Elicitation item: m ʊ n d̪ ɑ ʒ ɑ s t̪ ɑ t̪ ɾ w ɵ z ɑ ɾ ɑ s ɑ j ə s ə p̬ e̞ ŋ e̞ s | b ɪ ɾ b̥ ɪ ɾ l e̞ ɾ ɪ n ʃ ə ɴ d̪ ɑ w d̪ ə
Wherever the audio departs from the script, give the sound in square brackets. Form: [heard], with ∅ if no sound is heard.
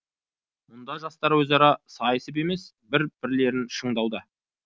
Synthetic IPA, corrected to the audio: m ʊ n d̪ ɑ ʒ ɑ s t̪ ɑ [∅] ɾ w ɵ z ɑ ɾ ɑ s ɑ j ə s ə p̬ e̞ [m] e̞ s | b ɪ ɾ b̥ ɪ ɾ l e̞ ɾ ɪ n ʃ ə ɴ d̪ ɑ w d̪ ə